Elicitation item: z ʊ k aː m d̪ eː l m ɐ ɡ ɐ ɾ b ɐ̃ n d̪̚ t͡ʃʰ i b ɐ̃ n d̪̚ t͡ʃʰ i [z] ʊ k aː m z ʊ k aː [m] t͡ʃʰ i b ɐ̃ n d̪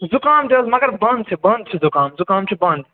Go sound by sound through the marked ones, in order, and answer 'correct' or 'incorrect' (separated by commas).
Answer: correct, correct